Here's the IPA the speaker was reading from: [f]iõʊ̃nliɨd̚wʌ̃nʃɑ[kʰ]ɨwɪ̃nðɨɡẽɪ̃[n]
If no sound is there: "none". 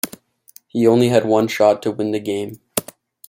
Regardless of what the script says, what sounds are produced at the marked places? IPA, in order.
h, tʰ, m

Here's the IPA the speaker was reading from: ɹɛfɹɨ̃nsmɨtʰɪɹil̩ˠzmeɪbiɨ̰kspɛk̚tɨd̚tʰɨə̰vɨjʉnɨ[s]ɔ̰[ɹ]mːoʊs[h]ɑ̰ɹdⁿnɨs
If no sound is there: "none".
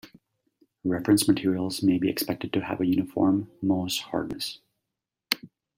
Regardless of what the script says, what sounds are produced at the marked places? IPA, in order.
f, ɹ, h

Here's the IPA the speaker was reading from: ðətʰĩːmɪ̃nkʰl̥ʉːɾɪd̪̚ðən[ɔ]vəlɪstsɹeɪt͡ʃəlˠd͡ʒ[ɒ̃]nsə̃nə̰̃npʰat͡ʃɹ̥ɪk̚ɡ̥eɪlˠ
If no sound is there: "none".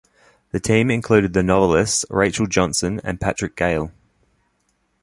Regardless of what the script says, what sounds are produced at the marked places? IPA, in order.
ɒ, ɒ̃

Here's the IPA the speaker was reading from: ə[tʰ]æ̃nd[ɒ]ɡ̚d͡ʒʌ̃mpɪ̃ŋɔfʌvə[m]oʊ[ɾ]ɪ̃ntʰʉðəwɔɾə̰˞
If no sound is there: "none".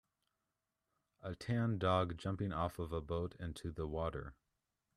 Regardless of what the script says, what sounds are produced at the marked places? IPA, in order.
tʰ, ɔ, b, ɾ

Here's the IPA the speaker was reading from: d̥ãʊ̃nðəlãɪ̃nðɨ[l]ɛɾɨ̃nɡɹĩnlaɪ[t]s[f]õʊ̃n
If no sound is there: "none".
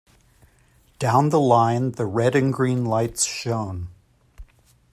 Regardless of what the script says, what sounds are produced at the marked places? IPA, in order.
ɹ, t, ʃ

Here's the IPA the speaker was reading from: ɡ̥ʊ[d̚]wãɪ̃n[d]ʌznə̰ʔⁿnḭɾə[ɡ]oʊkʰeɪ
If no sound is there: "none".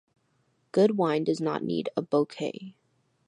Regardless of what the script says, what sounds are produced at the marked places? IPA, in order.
d̚, d, b

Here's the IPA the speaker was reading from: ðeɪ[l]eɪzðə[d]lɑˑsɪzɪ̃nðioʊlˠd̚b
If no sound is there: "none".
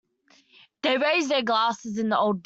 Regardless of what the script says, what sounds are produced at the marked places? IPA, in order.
ɹ, ɡ

